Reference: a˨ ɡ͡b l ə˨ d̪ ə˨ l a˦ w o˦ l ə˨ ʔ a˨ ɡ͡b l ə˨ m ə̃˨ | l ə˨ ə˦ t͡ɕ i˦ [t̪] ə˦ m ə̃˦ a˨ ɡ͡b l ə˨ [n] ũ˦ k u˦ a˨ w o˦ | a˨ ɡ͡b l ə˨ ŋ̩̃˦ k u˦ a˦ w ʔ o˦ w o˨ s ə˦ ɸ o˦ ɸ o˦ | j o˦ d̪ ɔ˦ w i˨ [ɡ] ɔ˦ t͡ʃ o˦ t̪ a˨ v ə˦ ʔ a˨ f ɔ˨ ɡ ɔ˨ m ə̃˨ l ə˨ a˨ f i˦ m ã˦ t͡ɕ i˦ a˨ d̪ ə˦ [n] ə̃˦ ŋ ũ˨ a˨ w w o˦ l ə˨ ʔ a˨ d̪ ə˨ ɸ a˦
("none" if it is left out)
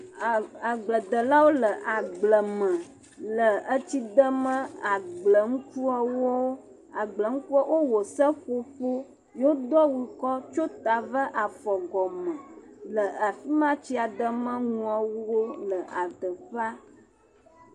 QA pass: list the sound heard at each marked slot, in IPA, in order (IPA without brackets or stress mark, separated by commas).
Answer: d̪, ŋ, k, m